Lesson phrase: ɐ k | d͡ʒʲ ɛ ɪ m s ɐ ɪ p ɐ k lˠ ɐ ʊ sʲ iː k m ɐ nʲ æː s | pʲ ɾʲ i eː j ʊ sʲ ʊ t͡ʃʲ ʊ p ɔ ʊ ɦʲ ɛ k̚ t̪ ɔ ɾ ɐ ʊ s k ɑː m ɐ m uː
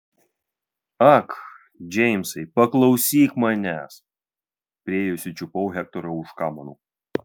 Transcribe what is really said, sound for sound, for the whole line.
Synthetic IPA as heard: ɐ k | d͡ʒʲ ɛ ɪ m s ɐ ɪ p ɐ k lˠ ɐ ʊ sʲ iː k m ɐ nʲ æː s | pʲ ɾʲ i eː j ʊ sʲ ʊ t͡ʃʲ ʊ p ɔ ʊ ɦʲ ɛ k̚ t̪ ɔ ɾ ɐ ʊ ʃ k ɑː m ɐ n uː

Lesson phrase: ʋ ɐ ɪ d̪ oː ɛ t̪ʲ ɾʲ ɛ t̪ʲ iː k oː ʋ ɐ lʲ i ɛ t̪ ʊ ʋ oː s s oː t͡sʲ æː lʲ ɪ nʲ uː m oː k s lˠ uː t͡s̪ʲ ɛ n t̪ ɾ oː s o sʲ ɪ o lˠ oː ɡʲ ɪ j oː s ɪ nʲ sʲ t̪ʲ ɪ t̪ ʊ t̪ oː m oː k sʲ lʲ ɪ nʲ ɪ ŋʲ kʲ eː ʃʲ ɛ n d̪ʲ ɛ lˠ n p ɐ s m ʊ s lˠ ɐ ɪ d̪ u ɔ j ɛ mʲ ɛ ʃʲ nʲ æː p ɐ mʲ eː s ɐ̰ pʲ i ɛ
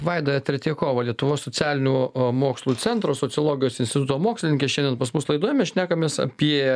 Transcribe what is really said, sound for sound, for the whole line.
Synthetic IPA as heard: ʋ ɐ ɪ d̪ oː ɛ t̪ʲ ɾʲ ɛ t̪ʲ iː k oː ʋ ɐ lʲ i ɛ t̪ ʊ ʋ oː s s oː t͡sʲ æː lʲ ɪ nʲ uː m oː k s lˠ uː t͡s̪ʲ ɛ n t̪ ɾ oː s o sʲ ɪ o lˠ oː ɡʲ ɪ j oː s ɪ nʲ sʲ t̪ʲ ɪ t̪ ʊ t̪ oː m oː k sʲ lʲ ɪ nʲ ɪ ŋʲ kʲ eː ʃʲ ɛ n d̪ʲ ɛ n p ɐ s m ʊ s lˠ ɐ ɪ d̪ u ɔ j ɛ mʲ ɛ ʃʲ nʲ æː k ɐ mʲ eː s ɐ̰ pʲ i ɛ

